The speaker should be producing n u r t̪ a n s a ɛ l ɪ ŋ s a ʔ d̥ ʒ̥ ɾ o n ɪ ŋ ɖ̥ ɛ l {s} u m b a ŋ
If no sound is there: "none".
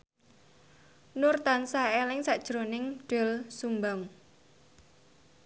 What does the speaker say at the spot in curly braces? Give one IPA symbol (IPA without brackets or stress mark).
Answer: s